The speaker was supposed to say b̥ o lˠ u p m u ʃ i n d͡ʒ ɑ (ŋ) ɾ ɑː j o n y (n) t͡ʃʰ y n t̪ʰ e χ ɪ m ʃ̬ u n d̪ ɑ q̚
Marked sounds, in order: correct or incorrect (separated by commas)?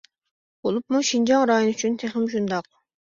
correct, incorrect